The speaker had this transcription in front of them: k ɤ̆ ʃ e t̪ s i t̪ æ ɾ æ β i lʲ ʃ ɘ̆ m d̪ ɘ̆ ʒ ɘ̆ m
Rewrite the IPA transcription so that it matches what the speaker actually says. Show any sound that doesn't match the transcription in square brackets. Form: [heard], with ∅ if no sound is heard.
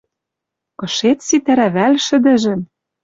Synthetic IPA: k ɤ̆ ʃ e t̪ s i t̪ æ ɾ æ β [æ] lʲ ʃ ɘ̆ [∅] d̪ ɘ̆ ʒ ɘ̆ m